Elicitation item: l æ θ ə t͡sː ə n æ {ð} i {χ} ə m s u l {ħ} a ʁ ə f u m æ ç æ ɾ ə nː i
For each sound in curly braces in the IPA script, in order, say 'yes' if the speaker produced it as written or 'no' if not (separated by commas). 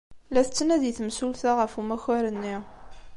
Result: yes, no, no